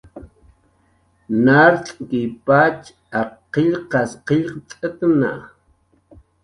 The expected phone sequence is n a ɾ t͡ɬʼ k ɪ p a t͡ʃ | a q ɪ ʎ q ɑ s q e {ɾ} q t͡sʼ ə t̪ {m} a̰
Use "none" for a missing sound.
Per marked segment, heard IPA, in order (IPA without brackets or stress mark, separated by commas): ʎ, n